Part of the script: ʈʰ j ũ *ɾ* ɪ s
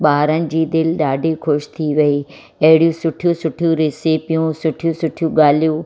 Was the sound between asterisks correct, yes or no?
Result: yes